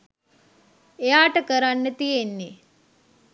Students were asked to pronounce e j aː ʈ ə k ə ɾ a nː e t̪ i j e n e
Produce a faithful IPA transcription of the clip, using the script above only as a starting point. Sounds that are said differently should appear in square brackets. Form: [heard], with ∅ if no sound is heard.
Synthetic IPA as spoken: e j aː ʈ ə k ə ɾ a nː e t̪ i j e [nː] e